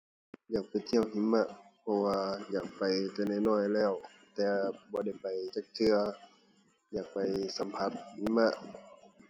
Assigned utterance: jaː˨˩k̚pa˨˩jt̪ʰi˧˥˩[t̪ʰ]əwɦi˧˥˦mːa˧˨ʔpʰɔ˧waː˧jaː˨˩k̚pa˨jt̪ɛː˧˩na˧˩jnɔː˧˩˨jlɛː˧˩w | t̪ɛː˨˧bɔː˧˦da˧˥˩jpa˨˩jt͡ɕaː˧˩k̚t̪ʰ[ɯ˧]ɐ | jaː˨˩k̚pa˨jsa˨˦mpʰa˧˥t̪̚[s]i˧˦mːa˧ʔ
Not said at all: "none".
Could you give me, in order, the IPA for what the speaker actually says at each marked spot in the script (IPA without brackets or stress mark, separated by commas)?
none, ɯ˧, h